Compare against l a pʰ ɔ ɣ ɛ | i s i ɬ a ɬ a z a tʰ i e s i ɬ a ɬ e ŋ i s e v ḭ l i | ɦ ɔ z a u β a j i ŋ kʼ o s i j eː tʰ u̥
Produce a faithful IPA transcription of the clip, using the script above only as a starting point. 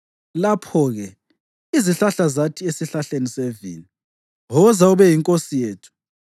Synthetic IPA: l a pʰ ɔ ɣ ɛ | i z i ɬ a ɬ a z a tʰ i e s i ɬ a ɬ e n i s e v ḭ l i | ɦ ɔ z a u β ɛ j i ŋ kʼ o s i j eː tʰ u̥